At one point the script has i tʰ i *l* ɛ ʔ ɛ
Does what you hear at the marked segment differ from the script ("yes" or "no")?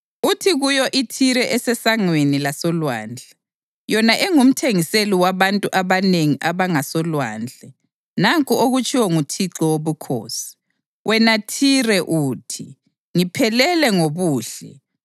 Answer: yes